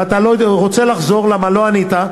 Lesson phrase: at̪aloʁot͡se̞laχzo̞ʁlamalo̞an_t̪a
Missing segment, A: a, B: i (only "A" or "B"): B